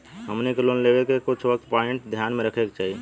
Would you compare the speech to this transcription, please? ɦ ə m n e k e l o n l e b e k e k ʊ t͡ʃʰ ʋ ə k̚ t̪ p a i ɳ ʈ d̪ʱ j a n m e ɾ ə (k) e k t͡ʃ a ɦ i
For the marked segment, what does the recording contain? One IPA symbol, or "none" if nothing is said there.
kʰ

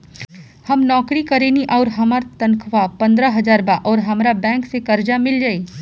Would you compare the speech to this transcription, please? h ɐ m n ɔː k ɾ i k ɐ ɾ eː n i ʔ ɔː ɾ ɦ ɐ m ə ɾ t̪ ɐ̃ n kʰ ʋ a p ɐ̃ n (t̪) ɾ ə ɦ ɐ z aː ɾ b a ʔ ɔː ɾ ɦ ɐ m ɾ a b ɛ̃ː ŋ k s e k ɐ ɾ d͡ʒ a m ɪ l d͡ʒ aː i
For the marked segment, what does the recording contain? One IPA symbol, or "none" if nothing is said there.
d̪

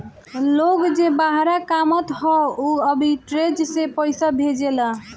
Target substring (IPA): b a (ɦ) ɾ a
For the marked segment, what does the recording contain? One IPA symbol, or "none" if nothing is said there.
ɦ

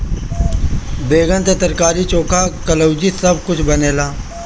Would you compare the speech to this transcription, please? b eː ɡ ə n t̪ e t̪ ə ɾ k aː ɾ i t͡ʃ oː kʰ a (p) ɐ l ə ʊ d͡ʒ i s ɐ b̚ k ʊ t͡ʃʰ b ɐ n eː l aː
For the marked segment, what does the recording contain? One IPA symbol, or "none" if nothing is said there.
k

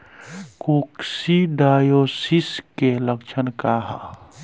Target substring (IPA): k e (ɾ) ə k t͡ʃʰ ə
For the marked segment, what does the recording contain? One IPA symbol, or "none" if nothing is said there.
l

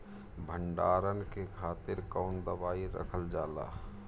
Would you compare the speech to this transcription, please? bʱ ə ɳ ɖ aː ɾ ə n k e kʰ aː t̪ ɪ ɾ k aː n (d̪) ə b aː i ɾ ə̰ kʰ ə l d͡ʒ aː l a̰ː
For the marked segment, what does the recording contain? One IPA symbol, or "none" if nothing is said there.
d̪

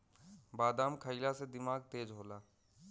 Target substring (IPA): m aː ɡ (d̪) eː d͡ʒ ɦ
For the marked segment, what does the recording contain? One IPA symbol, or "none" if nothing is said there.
t̪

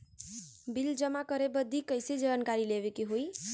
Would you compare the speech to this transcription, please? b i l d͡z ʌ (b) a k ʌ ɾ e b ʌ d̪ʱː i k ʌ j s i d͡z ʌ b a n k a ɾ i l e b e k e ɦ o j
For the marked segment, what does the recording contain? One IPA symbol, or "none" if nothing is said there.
m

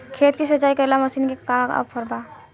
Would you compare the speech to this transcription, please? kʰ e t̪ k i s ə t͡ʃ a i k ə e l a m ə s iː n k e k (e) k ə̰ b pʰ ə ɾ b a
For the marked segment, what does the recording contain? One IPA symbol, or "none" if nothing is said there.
a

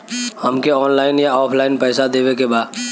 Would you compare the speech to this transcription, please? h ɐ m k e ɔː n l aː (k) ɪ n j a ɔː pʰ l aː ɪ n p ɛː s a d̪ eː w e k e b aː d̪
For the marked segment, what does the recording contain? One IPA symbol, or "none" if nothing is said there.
none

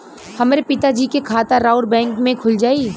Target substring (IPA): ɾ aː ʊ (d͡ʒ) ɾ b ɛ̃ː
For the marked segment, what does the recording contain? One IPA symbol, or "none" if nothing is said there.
none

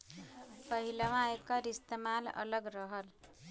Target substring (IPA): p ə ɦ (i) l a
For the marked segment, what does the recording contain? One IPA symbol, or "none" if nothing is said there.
i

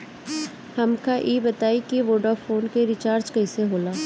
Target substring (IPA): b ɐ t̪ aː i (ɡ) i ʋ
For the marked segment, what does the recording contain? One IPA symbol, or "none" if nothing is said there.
k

